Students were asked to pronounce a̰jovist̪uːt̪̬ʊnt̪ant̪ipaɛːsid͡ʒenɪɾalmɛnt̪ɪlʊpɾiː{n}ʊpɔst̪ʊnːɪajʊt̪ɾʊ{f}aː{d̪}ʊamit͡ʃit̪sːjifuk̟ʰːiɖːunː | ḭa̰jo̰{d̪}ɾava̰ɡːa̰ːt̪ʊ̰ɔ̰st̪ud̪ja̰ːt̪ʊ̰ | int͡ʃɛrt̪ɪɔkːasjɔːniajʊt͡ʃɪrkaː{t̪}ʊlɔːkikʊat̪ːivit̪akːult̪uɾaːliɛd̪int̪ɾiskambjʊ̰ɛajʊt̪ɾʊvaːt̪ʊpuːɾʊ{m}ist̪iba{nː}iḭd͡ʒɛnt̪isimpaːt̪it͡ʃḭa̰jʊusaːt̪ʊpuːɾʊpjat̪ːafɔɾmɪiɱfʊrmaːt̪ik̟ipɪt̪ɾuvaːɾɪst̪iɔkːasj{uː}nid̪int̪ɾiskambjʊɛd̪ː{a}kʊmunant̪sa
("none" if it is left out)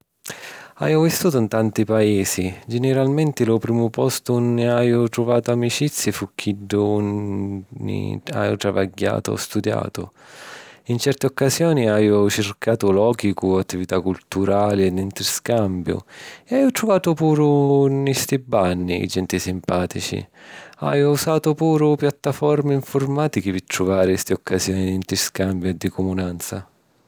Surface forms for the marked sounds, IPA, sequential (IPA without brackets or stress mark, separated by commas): m, v, t̪, t̪, t̪, n, nː, ɔː, i